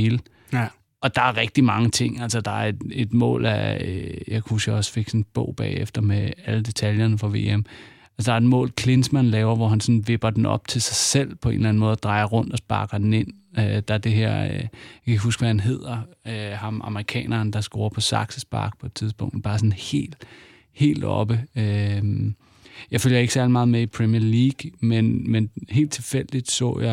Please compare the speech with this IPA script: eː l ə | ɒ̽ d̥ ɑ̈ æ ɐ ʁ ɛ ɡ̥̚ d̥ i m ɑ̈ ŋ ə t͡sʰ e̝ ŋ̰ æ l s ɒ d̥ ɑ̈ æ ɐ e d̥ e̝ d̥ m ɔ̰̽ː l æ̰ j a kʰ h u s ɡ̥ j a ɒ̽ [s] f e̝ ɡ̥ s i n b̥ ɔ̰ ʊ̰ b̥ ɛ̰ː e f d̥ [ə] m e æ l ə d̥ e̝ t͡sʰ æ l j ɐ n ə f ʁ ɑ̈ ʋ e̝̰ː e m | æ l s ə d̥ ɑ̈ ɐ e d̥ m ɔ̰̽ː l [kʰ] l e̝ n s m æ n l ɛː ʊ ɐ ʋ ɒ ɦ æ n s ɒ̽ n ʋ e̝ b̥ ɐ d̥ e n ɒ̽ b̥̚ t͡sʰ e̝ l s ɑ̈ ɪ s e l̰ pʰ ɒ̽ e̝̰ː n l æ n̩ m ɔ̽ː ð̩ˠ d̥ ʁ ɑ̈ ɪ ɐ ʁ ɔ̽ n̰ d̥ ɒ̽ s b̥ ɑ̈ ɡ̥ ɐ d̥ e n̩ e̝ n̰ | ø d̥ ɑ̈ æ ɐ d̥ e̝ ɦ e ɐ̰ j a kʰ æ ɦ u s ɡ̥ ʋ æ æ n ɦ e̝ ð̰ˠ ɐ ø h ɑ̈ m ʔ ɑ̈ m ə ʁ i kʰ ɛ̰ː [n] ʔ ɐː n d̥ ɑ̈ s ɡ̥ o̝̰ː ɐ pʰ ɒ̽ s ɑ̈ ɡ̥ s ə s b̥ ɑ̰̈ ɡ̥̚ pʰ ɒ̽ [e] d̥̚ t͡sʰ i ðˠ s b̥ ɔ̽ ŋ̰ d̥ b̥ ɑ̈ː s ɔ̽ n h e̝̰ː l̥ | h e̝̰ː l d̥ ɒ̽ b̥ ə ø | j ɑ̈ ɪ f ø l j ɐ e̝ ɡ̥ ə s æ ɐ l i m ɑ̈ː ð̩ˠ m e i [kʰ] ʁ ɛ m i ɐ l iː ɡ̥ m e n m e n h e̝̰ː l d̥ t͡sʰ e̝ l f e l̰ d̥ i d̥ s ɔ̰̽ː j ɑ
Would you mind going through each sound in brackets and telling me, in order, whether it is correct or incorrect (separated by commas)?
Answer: correct, incorrect, correct, correct, correct, incorrect